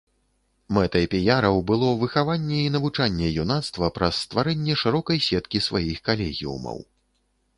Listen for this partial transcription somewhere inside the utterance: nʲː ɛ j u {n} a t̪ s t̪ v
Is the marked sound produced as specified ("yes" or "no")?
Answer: yes